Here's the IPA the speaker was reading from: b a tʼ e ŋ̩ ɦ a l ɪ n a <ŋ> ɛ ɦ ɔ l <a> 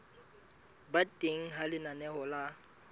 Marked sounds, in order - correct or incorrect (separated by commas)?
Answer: incorrect, correct